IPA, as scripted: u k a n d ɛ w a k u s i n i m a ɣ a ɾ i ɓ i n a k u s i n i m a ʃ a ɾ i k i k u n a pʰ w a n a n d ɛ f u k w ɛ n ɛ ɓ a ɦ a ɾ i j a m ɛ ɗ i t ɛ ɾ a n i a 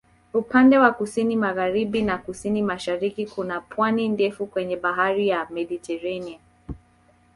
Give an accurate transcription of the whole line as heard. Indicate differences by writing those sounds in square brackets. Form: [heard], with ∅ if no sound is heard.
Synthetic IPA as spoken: u [p] a n d ɛ w a k u s i n i m a ɣ a ɾ i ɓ i n a k u s i n i m a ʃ a ɾ i k i k u n a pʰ w a n [i] n d ɛ f u k w ɛ [ɲ] ɛ ɓ a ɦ a ɾ i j a m ɛ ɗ i t ɛ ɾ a n i a